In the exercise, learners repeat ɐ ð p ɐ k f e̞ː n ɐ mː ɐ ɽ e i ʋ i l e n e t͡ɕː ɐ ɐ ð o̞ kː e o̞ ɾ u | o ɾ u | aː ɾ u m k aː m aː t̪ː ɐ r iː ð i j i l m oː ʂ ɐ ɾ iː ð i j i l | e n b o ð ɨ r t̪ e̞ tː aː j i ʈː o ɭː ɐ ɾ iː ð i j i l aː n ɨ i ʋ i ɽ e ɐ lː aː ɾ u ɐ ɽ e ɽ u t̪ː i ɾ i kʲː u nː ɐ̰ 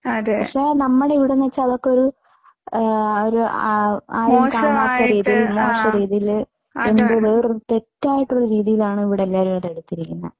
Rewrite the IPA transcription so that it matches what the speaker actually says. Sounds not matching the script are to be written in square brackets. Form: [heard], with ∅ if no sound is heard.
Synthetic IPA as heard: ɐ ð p ɐ k [ʂ] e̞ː n ɐ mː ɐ ɽ e i ʋ i [ɽ] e n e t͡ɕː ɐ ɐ ð o̞ kː e o̞ ɾ u | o ɾ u | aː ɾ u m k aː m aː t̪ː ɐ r iː ð i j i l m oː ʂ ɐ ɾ iː ð i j i l | e n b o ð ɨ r t̪ e̞ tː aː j i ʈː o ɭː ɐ ɾ iː ð i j i l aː [ɳ] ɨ i ʋ i ɽ e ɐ lː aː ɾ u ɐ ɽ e ɽ u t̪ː i ɾ i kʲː u nː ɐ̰

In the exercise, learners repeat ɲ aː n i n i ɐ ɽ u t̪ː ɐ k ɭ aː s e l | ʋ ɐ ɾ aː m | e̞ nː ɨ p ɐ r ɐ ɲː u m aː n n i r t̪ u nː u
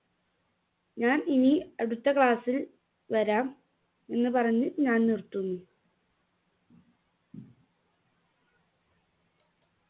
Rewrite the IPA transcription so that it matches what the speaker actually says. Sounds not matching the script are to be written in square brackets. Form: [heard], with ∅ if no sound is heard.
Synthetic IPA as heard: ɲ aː n i n i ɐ ɽ u t̪ː ɐ k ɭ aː s [i] l | ʋ ɐ ɾ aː m | e̞ nː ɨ p ɐ r ɐ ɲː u [ɲ] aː n n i r t̪ u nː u

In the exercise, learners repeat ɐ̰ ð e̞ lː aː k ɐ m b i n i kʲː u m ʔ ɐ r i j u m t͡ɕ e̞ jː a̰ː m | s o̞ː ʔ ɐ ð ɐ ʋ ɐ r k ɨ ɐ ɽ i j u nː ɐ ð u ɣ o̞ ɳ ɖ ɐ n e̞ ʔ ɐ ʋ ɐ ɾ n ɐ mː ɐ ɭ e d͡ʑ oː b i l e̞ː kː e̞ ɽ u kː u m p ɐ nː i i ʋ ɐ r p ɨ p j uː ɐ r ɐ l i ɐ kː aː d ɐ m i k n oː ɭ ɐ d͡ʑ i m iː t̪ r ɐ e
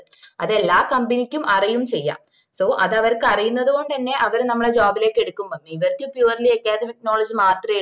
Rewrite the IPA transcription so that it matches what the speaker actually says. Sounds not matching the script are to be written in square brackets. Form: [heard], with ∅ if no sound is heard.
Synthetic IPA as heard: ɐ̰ ð e̞ lː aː k ɐ m b i n i kʲː u m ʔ ɐ r i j u m t͡ɕ e̞ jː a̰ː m | s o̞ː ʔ ɐ ð ɐ ʋ ɐ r k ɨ ɐ [r] i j u nː ɐ ð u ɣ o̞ ɳ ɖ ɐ [nː] e̞ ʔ ɐ ʋ ɐ ɾ n ɐ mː ɐ ɭ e d͡ʑ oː b i l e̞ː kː e̞ ɽ u kː u m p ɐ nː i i ʋ ɐ r [k] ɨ p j uː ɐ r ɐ l i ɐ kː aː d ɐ m i k n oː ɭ ɐ d͡ʑ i m [aː] t̪ r ɐ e

